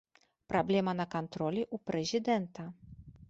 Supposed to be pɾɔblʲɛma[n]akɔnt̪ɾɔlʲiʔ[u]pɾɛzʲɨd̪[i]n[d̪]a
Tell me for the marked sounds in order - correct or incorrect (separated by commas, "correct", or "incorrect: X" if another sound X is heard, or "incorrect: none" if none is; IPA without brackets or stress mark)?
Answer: correct, correct, incorrect: ɛ, incorrect: t̪